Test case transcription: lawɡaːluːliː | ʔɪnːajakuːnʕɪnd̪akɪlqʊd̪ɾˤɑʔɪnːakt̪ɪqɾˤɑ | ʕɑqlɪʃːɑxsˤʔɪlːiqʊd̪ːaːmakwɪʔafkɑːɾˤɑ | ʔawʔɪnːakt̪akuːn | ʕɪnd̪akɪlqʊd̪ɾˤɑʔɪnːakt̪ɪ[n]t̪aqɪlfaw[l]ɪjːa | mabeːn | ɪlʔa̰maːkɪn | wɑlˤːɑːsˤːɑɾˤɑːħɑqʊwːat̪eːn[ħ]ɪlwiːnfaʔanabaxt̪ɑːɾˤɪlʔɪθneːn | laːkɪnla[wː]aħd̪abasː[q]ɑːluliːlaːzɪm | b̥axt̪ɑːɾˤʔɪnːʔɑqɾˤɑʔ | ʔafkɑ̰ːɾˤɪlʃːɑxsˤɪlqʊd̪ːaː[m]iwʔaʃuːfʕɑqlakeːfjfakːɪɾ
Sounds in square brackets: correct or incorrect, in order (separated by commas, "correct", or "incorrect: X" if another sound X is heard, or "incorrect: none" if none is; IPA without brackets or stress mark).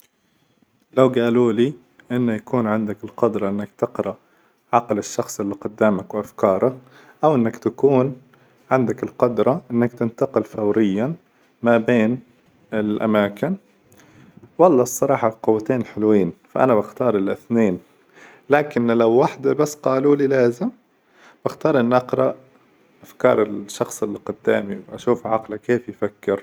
correct, incorrect: ɾ, correct, correct, correct, correct